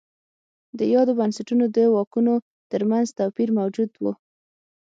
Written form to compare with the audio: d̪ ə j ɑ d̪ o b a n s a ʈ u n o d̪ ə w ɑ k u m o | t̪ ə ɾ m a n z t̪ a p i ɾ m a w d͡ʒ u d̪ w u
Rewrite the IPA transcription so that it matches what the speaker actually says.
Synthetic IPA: d̪ ə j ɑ d̪ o b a n s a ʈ u n o d̪ ə w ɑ k u n o | t̪ ə ɾ m a n z t̪ a p i ɾ m a w d͡ʒ u d̪ w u